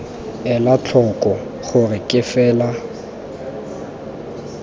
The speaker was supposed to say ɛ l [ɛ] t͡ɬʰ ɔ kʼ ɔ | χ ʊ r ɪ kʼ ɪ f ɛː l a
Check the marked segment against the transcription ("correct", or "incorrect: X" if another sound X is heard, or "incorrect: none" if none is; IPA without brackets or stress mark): incorrect: a